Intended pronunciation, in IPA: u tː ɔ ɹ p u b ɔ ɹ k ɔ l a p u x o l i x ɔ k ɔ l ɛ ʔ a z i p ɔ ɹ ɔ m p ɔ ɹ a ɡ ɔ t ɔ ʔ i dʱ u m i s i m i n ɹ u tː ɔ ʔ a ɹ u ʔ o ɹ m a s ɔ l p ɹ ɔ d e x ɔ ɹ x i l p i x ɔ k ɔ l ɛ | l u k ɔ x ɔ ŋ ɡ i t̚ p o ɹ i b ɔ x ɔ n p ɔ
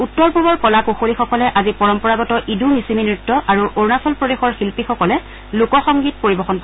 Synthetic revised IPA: u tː ɔ ɹ p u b ɔ ɹ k ɔ l a k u x o l i x ɔ k ɔ l ɛ ʔ a z i p ɔ ɹ ɔ m p ɔ ɹ a ɡ ɔ t ɔ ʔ i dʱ u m i s i m i n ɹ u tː ɔ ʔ a ɹ u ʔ o ɹ n a s ɔ l p ɹ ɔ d e x ɔ ɹ x i l p i x ɔ k ɔ l ɛ | l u k ɔ x ɔ ŋ ɡ i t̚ p o ɹ i b ɔ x ɔ n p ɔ